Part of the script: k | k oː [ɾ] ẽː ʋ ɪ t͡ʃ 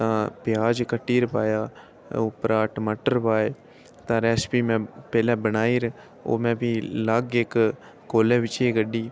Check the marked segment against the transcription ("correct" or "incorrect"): incorrect